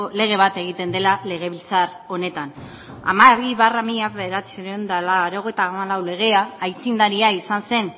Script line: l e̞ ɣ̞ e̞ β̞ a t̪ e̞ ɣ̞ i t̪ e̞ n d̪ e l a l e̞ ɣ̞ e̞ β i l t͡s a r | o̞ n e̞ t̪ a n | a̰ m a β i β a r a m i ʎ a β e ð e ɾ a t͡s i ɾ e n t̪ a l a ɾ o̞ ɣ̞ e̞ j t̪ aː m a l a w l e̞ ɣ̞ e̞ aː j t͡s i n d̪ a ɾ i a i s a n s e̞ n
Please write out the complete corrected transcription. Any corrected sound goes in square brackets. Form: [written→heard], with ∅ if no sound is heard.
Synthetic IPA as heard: l e̞ ɣ̞ e̞ β̞ a t̪ e̞ ɣ̞ i t̪ e̞ n d̪ e l a l e̞ ɣ̞ e̞ β i l t͡s a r | o̞ n e̞ t̪ a n | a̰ m a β i β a r a m i ʎ a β e ð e ɾ a t͡s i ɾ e n [t̪→d̪] a l a ɾ o̞ ɣ̞ e̞ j t̪ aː m a l a w l e̞ ɣ̞ e̞ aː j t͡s i n d̪ a ɾ i a i s a n s e̞ n